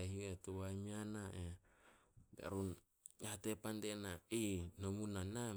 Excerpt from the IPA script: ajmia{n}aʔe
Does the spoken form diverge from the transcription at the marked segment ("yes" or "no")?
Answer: no